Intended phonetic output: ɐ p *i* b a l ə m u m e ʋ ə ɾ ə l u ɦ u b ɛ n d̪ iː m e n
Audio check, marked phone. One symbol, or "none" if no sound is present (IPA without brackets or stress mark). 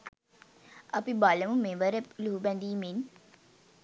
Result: i